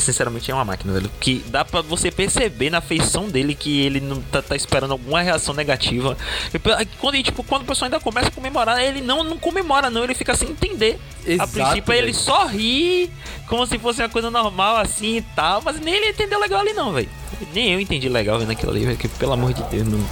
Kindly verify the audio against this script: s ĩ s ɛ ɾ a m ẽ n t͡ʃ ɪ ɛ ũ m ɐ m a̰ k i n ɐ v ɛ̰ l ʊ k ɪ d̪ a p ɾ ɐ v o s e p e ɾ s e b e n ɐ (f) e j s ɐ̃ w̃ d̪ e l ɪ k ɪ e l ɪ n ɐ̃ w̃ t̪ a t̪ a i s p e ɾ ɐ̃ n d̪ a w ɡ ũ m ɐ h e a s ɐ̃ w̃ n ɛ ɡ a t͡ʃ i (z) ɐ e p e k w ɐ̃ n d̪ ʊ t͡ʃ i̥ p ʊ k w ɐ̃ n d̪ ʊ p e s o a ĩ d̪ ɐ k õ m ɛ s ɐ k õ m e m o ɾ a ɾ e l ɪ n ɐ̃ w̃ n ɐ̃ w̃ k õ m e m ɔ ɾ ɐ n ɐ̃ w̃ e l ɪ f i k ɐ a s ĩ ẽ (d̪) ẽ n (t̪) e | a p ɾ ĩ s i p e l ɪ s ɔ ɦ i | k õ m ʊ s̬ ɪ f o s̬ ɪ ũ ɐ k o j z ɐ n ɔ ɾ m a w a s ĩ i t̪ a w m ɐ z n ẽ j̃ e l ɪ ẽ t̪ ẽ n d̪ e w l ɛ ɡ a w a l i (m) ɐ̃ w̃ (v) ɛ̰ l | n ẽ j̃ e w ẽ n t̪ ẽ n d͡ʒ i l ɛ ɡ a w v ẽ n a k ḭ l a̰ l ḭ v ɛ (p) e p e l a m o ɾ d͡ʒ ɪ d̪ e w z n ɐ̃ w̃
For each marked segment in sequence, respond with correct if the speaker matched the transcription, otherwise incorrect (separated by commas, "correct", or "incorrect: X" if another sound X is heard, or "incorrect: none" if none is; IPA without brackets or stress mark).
correct, incorrect: v, incorrect: t̪, incorrect: d̪, incorrect: n, correct, incorrect: k